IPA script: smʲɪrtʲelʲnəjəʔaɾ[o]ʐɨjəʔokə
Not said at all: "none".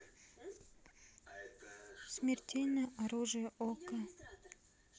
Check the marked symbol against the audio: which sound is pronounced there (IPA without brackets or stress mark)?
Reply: u